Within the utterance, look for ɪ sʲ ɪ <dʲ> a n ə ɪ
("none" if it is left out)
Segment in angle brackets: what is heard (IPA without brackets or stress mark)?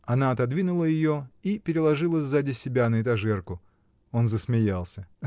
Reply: bʲ